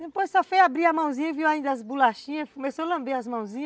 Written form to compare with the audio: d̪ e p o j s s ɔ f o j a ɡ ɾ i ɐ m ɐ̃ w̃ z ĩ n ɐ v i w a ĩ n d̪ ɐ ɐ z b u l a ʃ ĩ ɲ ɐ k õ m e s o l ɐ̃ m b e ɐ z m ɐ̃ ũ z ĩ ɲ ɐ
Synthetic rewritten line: d̪ e p o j s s ɔ f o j a b ɾ i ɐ m ɐ̃ w̃ z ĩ ɲ ɐ v i w a ĩ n d̪ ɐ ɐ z b u l a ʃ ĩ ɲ ɐ k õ m e s o l ɐ̃ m b e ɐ z m ɐ̃ w̃ z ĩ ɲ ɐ